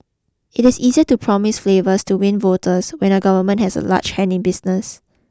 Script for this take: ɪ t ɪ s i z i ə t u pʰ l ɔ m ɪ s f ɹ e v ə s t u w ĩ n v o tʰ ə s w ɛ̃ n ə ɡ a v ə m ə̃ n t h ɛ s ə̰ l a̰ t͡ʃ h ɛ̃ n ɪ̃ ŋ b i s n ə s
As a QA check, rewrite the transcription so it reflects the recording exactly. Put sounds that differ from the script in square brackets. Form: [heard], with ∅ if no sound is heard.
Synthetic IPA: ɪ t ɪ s i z i ə t u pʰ [ɹ] ɔ m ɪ s f [l] e v ə s t u w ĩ n v o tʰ ə s w ɛ̃ n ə ɡ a v ə m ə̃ n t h ɛ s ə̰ l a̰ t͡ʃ h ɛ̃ n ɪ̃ [n] b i s n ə s